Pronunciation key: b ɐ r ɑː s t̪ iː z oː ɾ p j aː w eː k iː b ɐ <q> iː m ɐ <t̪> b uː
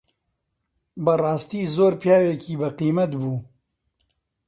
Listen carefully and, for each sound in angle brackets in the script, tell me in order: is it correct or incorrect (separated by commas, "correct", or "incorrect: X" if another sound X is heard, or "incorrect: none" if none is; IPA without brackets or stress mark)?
correct, correct